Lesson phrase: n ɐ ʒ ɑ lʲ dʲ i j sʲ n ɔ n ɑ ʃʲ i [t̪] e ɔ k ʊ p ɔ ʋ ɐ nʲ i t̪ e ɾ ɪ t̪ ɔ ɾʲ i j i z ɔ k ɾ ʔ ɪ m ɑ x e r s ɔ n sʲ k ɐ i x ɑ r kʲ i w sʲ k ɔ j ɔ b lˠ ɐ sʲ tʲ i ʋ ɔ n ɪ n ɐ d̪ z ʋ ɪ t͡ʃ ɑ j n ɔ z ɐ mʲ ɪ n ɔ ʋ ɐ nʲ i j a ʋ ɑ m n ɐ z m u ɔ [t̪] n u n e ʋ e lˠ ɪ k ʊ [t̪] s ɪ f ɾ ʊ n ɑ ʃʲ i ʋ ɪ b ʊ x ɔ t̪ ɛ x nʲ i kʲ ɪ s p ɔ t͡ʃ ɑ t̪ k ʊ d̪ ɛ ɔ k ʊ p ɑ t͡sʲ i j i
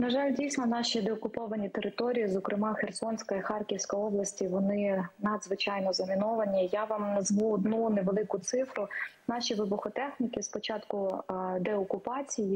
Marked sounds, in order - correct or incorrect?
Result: incorrect: d̪, incorrect: d̪, correct

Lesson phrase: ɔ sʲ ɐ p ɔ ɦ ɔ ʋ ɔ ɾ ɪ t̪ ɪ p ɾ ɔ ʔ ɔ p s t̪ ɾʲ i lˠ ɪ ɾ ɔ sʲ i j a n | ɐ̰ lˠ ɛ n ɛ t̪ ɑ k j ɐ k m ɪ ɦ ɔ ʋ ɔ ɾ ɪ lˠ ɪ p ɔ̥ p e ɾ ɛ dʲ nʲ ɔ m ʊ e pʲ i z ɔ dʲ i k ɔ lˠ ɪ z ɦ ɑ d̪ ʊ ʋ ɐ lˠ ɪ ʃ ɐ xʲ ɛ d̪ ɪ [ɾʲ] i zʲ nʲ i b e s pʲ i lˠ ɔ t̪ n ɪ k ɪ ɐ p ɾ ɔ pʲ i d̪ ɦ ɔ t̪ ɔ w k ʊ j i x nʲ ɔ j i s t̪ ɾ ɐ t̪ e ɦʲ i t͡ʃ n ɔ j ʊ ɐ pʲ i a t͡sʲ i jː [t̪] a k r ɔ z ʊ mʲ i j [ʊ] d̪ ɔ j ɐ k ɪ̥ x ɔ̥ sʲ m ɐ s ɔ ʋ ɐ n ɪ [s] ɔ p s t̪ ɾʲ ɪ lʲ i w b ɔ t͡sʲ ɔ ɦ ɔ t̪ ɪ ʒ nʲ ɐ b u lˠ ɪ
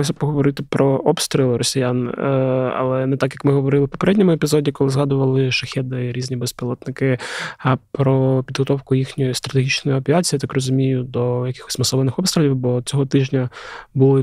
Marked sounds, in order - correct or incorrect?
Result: correct, correct, correct, incorrect: x

